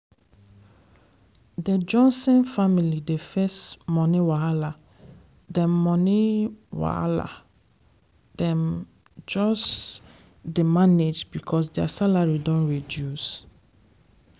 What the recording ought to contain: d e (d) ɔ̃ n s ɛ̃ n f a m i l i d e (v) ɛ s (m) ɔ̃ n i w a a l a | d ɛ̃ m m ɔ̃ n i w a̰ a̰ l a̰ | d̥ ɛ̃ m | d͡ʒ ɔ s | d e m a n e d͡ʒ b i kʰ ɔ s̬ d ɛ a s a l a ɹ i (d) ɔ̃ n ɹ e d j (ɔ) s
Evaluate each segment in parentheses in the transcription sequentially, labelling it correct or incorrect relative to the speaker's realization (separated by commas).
incorrect, incorrect, correct, correct, incorrect